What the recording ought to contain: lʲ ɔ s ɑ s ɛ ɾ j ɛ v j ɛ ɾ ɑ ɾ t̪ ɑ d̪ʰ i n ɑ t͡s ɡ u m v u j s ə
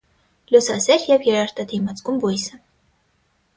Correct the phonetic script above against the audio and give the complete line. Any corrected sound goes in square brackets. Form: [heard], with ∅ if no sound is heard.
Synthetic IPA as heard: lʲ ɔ s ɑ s ɛ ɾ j ɛ v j ɛ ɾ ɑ ɾ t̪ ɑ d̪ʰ i [m] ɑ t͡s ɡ u m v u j s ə